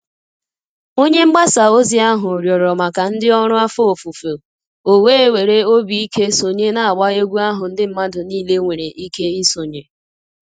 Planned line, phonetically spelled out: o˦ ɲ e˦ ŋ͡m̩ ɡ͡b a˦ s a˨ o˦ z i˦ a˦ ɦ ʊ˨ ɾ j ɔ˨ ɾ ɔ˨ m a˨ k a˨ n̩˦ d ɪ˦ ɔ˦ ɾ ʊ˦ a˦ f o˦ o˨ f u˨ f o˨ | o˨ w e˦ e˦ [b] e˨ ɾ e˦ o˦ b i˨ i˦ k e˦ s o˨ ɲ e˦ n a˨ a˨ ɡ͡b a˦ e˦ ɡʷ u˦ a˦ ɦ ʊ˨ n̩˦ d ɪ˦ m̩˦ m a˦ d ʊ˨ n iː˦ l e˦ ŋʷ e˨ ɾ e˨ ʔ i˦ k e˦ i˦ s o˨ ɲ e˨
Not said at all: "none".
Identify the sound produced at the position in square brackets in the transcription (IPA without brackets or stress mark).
w